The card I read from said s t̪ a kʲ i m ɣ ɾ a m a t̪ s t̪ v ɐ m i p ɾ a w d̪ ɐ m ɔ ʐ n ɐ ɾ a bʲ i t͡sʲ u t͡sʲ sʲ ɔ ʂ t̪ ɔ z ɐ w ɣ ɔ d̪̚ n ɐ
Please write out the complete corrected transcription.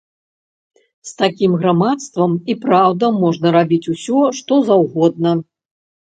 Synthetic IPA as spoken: s t̪ a kʲ i m ɣ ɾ a m a t̪ s t̪ v ɐ m i p ɾ a w d̪ ɐ m ɔ ʐ n ɐ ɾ a bʲ i t͡sʲ u sʲ ɔ ʂ t̪ ɔ z a w ɣ ɔ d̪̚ n ɐ